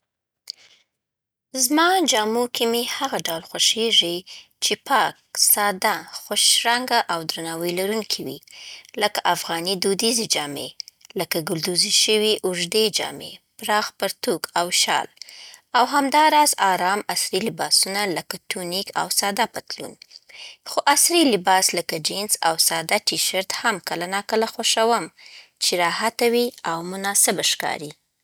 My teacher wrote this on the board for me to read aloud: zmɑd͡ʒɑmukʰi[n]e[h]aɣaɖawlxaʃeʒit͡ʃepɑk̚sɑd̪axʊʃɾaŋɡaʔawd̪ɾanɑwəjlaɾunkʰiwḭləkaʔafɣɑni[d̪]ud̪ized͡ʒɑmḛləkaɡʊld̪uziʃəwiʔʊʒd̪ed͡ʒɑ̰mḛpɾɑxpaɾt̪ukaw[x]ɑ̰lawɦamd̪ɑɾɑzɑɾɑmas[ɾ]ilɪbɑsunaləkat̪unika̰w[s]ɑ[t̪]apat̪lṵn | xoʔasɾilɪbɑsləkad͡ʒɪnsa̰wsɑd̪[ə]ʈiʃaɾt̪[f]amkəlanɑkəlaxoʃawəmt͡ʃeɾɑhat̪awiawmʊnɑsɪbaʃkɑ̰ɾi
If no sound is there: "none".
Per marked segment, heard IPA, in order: m, h, d̪, ʃ, ɾ, s, d̪, a, h

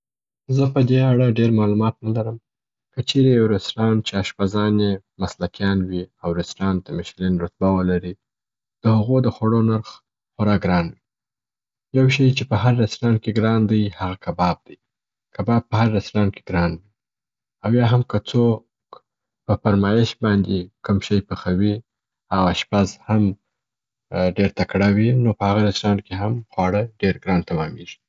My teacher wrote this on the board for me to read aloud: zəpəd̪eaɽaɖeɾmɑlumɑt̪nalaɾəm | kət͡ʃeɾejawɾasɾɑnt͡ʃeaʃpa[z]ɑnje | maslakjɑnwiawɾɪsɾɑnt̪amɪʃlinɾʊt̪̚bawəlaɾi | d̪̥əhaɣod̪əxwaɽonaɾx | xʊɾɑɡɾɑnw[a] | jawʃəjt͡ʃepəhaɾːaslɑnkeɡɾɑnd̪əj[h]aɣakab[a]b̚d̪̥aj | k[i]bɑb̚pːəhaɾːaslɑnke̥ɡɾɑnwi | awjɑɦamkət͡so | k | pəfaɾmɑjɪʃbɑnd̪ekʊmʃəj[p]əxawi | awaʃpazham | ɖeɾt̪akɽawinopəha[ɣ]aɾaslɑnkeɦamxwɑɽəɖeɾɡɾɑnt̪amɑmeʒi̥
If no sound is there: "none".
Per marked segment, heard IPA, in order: z, i, h, ɑ, a, p, ɣ

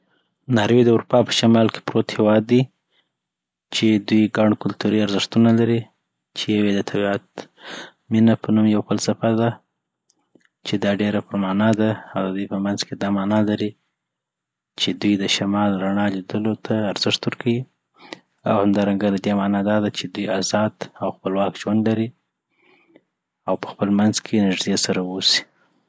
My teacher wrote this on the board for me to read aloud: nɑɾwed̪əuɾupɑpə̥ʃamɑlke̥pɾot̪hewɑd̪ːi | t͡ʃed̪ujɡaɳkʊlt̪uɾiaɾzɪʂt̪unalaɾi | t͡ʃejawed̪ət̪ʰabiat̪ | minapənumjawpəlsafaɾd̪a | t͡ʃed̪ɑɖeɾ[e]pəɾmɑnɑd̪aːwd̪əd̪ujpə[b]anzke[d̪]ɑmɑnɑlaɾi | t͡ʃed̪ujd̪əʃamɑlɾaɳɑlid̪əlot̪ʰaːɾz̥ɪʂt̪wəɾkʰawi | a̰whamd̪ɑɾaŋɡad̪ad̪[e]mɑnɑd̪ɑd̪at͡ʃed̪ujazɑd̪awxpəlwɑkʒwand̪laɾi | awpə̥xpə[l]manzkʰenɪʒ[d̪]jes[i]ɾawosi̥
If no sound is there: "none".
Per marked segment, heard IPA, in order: a, m, d̪, e, l, d̪, a

